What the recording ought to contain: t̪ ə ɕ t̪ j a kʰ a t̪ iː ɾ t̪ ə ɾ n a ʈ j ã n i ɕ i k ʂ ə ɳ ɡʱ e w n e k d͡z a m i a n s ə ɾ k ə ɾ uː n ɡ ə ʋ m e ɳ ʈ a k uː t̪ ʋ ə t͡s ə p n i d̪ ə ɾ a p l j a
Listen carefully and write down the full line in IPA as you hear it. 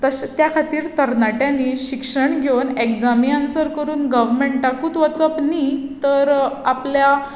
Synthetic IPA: t̪ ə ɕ t̪ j a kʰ a t̪ iː ɾ t̪ ə ɾ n a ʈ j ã n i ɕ i k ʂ ə ɳ ɡʱ e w n e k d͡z a m i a n s ə ɾ k ə ɾ uː n ɡ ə ʋ m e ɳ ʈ a k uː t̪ ʋ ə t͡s ə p n i t̪ ə ɾ a p l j a

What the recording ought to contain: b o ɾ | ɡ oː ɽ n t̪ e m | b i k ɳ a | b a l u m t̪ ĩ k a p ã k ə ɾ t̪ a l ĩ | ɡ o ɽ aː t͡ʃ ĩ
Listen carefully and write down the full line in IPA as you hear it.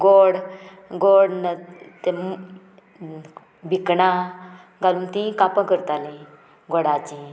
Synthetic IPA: ɡ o ɽ | ɡ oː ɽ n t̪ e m | b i k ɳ a | ɡ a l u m t̪ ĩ k a p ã k ə ɾ t̪ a l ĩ | ɡ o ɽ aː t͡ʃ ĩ

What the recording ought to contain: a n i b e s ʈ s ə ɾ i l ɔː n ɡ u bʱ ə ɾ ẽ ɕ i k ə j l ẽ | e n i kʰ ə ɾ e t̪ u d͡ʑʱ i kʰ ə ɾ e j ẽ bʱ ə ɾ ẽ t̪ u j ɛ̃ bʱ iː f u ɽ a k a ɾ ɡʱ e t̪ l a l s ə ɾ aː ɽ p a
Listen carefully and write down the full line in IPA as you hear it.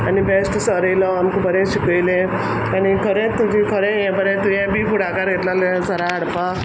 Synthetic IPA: a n i b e s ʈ s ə ɾ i l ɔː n k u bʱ ə ɾ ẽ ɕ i k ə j l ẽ | a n i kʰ ə ɾ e t̪ u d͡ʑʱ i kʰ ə ɾ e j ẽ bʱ ə ɾ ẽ t̪ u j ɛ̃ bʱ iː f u ɽ a k a ɾ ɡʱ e t̪ l a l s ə ɾ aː ɽ p a

